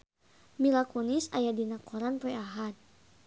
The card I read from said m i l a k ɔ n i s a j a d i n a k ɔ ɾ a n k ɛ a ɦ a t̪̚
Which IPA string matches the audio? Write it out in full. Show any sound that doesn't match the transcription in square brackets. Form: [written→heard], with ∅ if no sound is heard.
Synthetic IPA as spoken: m i l a k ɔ n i s a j a d i n a k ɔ ɾ a n [k→p] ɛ a ɦ a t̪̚